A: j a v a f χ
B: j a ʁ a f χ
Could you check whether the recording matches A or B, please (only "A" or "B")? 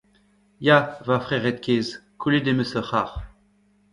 A